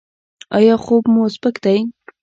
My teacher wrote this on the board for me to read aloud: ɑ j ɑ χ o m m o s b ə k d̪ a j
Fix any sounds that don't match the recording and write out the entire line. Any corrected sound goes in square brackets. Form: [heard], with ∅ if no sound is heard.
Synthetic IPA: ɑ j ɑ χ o [b] m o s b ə k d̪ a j